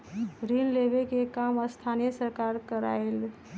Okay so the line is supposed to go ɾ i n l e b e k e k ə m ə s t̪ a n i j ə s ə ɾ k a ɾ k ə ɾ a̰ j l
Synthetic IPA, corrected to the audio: ɾ i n l e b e k e k a m ə s t̪ʰ a n i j ə s ə ɾ k a ɾ k ə ɾ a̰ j l

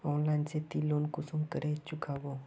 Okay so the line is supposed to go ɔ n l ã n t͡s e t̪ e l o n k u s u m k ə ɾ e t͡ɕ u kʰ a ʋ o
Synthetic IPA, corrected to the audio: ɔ n l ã n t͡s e t̪ i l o n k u s u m k ə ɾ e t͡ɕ u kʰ a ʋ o

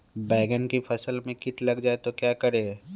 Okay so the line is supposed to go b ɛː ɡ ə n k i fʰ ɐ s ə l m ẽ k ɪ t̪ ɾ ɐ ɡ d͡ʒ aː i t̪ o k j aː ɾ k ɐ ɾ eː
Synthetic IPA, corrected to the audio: b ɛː ɡ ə n k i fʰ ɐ s ə l m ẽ k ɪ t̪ l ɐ ɡ d͡ʒ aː e t̪ o k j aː k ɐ ɾ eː

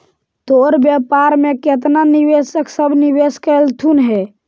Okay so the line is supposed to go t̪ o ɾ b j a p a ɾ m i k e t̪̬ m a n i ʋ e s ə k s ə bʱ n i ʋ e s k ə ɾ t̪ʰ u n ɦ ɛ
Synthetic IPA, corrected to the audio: t̪ o ɾ b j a p a ɾ m e k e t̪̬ n a n i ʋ e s ə k s ə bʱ n i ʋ e s k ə l t̪ʰ u n ɦ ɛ

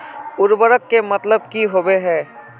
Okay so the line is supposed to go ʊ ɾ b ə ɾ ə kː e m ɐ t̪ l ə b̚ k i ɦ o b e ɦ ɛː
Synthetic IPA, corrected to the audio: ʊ ɾ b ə ɾ ə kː e m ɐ t̪ l ə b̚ k i ɦ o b e ɦ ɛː

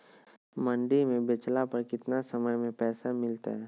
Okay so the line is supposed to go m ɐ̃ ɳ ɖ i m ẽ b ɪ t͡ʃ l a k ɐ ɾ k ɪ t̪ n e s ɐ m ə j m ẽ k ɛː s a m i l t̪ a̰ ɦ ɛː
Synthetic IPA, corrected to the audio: m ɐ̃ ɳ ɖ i m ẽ b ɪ t͡ʃ l a p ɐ ɾ k ɪ t̪ n a s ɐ m ə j m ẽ p ɛː s a m ɪ l t̪ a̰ ɦ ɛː

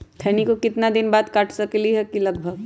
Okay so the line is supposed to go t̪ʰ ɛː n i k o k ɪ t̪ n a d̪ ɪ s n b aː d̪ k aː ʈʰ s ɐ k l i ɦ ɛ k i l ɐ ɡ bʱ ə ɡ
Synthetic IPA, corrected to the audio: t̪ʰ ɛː n i k o k ɪ t̪ n a d̪ ɪ n b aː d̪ k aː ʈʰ s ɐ k l i ɦ ɛ k i l ɐ ɡ bʱ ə ɡ

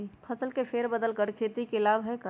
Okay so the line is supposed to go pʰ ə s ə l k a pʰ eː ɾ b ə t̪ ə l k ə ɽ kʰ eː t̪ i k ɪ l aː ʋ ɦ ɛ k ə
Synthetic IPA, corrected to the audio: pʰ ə s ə l k e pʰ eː ɾ b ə d̪ ə l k ə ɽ kʰ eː t̪ i k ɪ l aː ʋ ɦ ɛ k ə

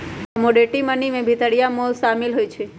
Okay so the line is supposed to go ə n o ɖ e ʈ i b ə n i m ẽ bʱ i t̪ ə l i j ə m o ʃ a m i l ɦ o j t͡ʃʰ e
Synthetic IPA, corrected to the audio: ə m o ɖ e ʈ i m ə n i m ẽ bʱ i t̪ ə ɽ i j a m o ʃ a m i l ɦ o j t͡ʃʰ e

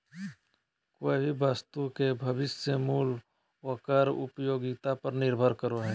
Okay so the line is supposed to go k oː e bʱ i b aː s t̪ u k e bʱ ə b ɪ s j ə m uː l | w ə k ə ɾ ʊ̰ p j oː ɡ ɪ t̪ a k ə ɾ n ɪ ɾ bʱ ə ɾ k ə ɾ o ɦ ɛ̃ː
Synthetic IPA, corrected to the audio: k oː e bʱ i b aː s t̪ u k e bʱ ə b ɪ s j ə m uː l | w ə k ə ɾ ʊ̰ p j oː ɡ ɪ t̪ a p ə ɾ n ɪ ɾ bʱ ə ɾ k ə ɾ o ɦ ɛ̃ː

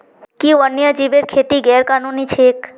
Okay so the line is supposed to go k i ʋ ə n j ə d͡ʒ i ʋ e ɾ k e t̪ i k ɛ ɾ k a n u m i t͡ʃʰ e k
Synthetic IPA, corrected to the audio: k i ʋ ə n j ə d͡ʒ i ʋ e ɾ kʰ e t̪ i ɡ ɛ ɾ k a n u n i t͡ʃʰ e k

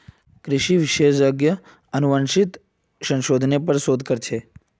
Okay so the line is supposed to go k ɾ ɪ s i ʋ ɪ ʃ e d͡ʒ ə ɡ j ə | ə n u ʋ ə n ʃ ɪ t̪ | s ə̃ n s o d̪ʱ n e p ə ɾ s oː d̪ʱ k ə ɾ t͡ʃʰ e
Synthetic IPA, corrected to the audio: k ɾ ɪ ʃ i ʋ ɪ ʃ e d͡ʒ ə ɡ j ə | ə n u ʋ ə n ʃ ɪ t̪ | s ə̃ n ʃ o d̪ʱ n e p ə ɾ s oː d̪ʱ k ə ɾ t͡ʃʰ e

